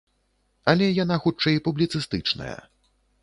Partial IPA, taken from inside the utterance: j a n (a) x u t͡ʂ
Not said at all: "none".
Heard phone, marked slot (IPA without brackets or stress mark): a